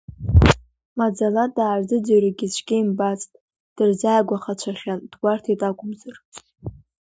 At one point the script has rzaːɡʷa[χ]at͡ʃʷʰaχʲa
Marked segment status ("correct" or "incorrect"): correct